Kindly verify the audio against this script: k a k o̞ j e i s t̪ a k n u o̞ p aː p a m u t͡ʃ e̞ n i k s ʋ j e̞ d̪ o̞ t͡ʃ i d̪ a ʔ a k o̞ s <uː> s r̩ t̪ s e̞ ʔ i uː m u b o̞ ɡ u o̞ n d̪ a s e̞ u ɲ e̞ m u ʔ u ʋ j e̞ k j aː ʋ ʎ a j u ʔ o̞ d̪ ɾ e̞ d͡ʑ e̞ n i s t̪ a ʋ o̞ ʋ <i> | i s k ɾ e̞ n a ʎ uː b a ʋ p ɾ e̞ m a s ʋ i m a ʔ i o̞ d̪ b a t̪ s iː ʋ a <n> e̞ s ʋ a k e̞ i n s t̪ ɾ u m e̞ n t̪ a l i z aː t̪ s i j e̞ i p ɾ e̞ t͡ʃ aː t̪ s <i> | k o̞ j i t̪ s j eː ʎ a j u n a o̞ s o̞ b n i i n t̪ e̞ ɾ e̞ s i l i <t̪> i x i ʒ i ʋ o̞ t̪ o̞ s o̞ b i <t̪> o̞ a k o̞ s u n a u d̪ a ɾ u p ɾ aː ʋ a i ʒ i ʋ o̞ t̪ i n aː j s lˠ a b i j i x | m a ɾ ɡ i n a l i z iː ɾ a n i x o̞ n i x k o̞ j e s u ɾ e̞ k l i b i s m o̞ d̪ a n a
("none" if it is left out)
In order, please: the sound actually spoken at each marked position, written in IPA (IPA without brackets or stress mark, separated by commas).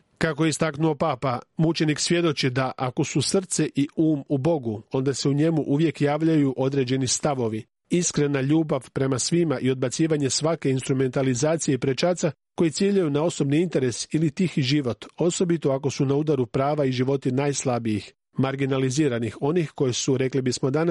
u, i, ɲ, a, t̪, t̪